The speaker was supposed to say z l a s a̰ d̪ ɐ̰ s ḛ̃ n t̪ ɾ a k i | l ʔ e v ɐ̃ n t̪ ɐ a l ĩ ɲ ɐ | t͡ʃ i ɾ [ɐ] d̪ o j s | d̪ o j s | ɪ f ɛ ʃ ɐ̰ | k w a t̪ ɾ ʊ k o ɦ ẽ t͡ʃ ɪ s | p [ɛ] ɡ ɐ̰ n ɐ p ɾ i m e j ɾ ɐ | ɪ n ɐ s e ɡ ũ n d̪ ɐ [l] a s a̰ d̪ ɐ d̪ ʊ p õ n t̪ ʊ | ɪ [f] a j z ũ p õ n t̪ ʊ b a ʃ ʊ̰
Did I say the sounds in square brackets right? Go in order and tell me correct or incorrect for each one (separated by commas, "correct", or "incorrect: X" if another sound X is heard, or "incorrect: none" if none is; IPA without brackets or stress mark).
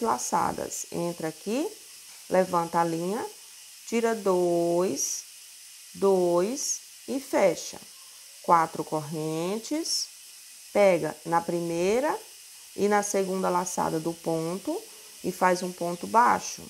correct, correct, correct, correct